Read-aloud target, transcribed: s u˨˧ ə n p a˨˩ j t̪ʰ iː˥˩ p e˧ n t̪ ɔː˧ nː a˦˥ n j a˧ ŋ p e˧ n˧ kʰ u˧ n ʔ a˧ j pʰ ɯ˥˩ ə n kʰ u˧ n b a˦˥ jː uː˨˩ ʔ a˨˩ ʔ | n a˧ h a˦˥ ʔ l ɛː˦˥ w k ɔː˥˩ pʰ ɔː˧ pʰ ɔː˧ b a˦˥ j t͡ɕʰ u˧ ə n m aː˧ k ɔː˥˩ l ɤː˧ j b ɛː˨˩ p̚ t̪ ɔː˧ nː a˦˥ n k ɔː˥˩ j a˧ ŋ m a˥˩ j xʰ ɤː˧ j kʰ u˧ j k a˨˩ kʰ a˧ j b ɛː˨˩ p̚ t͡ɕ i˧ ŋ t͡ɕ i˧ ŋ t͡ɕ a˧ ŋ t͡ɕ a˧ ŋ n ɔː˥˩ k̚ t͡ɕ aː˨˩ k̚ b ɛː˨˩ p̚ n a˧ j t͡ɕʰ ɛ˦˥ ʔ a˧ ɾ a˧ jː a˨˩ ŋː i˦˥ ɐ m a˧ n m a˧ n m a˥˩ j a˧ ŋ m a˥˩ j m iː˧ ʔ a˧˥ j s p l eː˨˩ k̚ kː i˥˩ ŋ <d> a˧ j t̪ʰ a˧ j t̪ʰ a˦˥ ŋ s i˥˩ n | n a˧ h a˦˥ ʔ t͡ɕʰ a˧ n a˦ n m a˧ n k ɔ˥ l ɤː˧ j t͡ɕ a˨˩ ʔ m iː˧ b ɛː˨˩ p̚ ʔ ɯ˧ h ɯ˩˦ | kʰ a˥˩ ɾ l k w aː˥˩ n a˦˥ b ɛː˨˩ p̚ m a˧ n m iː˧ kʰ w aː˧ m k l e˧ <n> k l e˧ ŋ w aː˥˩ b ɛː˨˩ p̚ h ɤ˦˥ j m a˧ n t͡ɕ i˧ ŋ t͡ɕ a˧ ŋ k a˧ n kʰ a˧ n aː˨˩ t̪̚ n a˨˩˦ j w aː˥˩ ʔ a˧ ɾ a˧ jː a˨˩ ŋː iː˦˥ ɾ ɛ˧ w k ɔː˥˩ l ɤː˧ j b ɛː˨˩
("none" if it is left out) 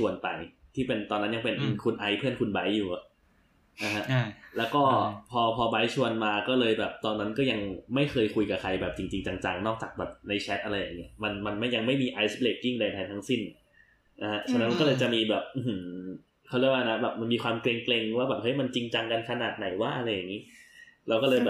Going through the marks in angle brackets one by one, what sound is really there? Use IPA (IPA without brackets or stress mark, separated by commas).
d, ŋ